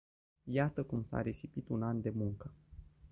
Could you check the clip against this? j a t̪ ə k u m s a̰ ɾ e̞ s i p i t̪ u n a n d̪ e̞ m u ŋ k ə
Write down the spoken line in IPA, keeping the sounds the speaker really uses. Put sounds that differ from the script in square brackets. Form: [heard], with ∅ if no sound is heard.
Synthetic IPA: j a t̪ ə k u m s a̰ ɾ e̞ s i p i t̪ u n a n d̪ e̞ m u ŋ k ə